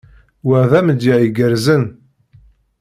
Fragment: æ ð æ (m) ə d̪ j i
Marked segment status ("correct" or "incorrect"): correct